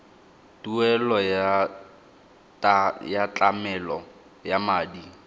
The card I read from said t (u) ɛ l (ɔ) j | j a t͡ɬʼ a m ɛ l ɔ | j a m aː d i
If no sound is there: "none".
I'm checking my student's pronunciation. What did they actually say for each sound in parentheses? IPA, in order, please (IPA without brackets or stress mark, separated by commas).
u, ɔ